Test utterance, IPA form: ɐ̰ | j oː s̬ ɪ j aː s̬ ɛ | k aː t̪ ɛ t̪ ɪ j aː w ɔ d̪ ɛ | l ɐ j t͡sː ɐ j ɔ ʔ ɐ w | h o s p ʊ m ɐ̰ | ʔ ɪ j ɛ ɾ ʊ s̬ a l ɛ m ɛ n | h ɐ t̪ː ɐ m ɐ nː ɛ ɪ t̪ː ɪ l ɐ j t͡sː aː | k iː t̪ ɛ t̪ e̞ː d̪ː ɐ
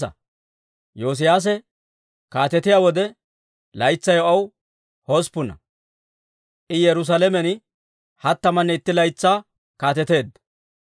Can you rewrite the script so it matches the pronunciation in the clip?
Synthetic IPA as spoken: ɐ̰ | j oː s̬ ɪ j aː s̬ ɛ | k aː t̪ ɛ t̪ ɪ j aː w ɔ d̪ ɛ | l ɐ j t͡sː ɐ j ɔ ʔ ɐ w | h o s p ʊ n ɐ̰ | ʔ ɪ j ɛ ɾ ʊ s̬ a l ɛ m ɛ n | h ɐ t̪ː ɐ m ɐ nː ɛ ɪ t̪ː ɪ l ɐ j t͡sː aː | k aː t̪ ɛ t̪ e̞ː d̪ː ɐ